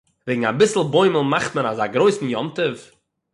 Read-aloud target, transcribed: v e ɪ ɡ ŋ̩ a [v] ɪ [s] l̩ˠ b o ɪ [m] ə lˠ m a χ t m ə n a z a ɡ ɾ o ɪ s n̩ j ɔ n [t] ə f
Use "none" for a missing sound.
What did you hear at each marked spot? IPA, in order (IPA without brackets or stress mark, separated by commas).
b, s, m, t